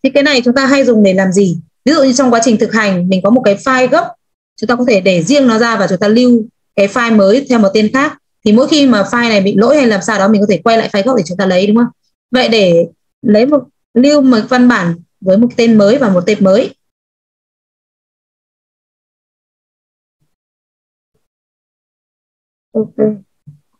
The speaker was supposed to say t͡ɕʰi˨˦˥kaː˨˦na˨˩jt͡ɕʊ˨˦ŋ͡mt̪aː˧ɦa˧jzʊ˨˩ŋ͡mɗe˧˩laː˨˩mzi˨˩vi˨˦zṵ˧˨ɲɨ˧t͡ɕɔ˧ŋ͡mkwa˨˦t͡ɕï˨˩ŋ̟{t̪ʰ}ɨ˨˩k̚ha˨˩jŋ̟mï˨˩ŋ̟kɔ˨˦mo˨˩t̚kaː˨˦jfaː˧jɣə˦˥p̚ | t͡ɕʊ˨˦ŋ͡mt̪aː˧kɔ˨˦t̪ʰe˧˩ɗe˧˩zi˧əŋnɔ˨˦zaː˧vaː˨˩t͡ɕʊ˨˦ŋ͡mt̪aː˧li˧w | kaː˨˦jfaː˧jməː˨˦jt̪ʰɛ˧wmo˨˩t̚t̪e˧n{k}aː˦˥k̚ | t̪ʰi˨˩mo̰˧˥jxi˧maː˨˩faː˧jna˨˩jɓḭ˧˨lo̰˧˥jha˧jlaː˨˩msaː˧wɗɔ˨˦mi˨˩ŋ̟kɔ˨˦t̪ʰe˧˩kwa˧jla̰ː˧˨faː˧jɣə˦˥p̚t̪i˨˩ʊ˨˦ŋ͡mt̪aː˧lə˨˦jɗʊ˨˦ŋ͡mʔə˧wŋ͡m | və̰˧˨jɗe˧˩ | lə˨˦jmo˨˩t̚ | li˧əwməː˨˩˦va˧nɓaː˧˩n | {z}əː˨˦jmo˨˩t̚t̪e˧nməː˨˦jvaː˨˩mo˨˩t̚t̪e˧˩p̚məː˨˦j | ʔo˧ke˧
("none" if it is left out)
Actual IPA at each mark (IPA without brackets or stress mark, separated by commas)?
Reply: t̪, x, v